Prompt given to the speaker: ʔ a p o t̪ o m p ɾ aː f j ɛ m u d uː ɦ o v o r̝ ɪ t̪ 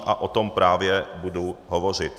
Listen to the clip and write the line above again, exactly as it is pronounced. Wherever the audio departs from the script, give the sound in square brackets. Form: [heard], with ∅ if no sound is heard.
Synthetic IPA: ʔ a [ʔ] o t̪ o m p ɾ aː [v] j ɛ [b] u d [u] ɦ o v o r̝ ɪ t̪